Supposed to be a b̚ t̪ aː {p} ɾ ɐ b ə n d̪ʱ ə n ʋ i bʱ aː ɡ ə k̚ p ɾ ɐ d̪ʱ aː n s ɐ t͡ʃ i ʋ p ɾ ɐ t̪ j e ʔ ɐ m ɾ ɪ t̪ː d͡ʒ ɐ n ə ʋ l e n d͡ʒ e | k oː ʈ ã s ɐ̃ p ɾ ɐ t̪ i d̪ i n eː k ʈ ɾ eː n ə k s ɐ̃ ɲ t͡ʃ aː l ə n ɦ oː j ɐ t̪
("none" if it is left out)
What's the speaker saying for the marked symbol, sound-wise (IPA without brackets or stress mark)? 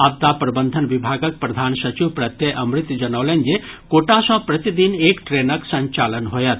p